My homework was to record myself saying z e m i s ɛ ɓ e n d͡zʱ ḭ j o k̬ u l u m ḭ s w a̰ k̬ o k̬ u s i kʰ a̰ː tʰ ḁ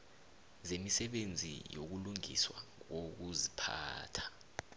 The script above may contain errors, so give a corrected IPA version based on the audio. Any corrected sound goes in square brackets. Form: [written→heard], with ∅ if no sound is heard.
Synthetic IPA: z e m i s ɛ ɓ e n d͡zʱ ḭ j o k̬ u l u [m→ŋ] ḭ s w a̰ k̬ o k̬ u [s→z] i [kʰ→pʰ] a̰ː tʰ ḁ